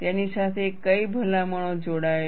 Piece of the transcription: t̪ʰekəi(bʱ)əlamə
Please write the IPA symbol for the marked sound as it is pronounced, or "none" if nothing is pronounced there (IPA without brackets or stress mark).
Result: bʱ